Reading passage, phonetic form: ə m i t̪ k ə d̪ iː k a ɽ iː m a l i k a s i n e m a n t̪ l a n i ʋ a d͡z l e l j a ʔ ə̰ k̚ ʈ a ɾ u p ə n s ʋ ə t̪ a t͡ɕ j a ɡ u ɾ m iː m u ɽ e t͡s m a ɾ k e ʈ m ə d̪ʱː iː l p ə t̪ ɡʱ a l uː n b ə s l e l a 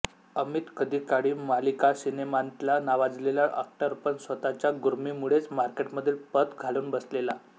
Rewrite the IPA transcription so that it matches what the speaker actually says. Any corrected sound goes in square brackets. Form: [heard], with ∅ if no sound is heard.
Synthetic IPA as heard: ə m i t̪ k ə d̪ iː k a ɽ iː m a l i k a s i n e m a n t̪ l a n [a] ʋ a d͡z l e l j a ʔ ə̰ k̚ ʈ a ɾ u p ə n s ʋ ə t̪ a t͡ɕ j a ɡ u ɾ m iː m u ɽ e t͡s m a ɾ k e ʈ m ə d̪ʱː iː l p ə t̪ ɡʱ a l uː n b ə s l e l a